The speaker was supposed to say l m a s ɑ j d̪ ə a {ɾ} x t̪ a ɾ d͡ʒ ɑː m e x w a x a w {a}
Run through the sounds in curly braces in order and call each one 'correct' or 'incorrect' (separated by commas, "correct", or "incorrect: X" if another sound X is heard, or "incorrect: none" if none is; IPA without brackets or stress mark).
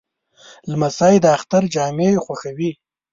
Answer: incorrect: none, incorrect: i